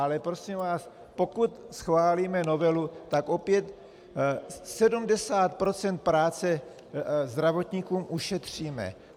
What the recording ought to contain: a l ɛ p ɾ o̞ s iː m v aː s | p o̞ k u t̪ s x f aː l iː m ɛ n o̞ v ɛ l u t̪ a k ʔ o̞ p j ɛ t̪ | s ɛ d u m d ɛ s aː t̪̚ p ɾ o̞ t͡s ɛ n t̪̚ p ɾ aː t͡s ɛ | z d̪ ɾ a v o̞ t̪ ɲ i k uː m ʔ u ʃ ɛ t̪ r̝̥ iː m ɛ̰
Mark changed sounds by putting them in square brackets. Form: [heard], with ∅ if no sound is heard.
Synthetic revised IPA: a l ɛ p ɾ o̞ s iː m v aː s | p o̞ k u t̪ s x [v] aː l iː m ɛ n o̞ v ɛ l u t̪ a k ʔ o̞ p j ɛ t̪ | s ɛ d u m d ɛ s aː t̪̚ p ɾ o̞ t͡s ɛ n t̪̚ p ɾ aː t͡s ɛ | z d̪ ɾ a v o̞ t̪ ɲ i k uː m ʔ u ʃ ɛ t̪ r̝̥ iː m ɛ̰